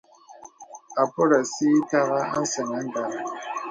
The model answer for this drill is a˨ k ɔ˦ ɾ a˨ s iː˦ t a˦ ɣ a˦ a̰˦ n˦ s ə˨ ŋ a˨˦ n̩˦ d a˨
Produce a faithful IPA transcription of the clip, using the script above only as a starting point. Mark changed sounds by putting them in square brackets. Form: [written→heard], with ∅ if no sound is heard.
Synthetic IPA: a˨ [k→p] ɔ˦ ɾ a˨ s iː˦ t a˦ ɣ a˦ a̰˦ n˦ s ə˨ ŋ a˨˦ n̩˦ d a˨